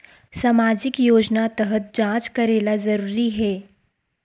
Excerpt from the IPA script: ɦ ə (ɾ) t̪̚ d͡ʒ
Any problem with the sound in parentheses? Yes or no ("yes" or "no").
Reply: yes